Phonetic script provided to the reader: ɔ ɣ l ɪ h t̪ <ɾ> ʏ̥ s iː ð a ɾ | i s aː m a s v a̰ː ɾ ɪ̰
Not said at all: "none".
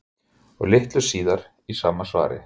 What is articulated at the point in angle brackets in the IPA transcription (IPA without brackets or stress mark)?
l